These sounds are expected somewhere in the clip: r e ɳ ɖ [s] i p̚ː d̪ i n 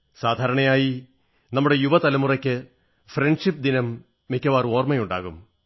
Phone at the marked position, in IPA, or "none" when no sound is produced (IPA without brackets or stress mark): ʂ